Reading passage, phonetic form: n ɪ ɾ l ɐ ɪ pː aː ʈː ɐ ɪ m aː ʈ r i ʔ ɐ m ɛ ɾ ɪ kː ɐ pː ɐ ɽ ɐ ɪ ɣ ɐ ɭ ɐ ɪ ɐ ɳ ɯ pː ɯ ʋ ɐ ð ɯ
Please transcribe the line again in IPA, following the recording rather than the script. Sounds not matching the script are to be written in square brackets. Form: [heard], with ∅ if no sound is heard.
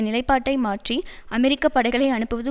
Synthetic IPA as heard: n ɪ [∅] l ɐ ɪ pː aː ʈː ɐ ɪ m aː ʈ r i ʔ ɐ m ɛ ɾ ɪ kː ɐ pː ɐ ɽ ɐ ɪ ɣ ɐ ɭ ɐ ɪ ɐ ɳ ɯ pː ɯ ʋ ɐ ð ɯ